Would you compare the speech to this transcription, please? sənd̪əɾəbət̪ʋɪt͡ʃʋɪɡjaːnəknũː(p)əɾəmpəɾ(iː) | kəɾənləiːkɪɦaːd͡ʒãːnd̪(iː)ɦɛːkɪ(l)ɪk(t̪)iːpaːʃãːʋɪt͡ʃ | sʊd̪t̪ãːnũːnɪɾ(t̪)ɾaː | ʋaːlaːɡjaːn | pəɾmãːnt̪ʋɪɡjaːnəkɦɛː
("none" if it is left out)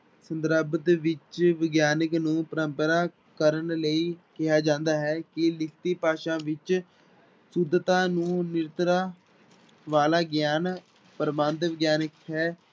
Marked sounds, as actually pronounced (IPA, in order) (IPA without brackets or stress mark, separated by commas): p, aː, aː, l, t̪, t̪